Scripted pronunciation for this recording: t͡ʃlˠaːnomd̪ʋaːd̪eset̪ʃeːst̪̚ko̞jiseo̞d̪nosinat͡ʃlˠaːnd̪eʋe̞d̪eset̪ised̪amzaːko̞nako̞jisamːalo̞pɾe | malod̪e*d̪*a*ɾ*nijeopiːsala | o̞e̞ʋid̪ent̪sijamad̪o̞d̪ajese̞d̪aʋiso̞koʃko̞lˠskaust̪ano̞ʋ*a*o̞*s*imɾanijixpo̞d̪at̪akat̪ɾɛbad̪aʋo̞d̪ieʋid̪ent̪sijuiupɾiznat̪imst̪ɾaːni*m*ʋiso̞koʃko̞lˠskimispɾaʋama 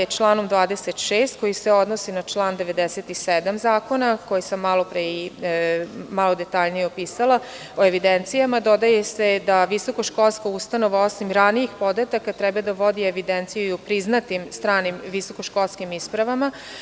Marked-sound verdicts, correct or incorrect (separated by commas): incorrect, incorrect, correct, correct, correct